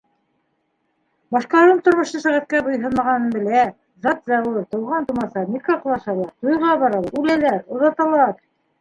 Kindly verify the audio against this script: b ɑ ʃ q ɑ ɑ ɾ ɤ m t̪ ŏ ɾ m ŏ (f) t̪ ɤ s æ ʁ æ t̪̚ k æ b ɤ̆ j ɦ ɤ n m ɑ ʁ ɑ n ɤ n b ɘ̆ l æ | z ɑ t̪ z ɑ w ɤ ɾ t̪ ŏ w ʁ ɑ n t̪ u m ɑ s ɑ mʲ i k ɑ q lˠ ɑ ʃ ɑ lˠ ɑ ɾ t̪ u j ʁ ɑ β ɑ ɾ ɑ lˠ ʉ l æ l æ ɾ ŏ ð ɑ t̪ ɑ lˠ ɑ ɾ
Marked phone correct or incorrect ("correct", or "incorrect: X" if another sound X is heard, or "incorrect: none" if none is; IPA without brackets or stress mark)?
incorrect: ʃ